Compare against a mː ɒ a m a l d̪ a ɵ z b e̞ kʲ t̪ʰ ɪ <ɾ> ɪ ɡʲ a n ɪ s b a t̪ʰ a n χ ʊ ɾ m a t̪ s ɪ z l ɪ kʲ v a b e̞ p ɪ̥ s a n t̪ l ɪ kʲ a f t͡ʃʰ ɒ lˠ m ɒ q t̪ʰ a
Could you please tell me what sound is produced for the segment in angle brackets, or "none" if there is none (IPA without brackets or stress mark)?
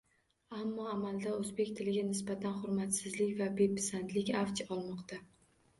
l